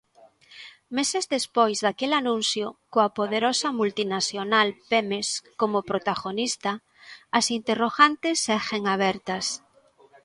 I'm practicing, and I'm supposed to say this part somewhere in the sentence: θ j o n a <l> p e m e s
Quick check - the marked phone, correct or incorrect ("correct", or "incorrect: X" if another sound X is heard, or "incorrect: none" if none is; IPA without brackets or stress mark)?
correct